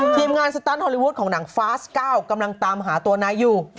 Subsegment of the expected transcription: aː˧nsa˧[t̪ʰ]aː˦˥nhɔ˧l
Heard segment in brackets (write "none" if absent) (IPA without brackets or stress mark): t̪